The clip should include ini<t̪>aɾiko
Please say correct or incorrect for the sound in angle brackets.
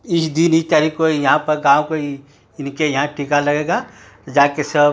correct